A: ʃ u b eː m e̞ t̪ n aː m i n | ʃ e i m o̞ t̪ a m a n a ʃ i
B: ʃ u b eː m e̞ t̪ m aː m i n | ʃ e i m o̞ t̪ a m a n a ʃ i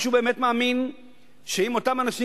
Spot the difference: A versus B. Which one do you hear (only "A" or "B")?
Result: B